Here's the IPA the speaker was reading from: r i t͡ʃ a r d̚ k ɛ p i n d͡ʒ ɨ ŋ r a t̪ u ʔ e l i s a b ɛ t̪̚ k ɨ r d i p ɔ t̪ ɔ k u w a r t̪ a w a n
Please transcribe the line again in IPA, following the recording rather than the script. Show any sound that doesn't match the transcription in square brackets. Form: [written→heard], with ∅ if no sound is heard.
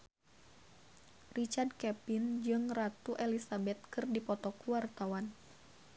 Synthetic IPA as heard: r i t͡ʃ a r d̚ k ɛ p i n d͡ʒ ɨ ŋ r a t̪ u ʔ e l i s a b ɛ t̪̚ k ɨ r d i p ɔ t̪ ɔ k u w a r t̪ a w a n